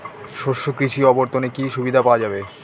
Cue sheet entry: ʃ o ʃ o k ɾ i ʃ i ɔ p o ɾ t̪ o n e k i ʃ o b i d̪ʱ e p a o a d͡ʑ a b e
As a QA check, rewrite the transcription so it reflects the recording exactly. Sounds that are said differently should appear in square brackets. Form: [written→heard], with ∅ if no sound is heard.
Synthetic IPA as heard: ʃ o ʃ o k ɾ i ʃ i ɔ [p→b] o ɾ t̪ o n e k i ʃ [o→u] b i d̪ʱ [e→a] p a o a d͡ʑ a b e